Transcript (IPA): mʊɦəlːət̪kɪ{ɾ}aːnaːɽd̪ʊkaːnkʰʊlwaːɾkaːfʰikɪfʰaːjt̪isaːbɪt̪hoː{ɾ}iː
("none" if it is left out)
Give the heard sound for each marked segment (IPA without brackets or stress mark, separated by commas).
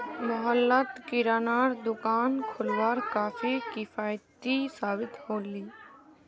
ɾ, l